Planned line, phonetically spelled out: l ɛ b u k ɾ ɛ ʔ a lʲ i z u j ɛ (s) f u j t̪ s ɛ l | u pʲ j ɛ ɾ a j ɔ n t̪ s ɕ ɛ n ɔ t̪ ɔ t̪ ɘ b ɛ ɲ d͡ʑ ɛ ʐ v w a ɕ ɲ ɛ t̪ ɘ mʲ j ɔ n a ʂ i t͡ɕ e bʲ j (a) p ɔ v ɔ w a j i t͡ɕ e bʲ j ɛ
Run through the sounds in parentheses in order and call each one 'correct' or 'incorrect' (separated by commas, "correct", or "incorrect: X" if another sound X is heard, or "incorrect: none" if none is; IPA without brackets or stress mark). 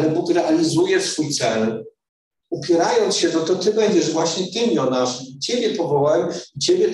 correct, incorrect: ɛ